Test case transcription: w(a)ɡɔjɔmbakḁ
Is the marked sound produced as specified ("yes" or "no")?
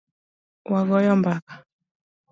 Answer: yes